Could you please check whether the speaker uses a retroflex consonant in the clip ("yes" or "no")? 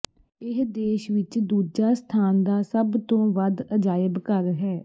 no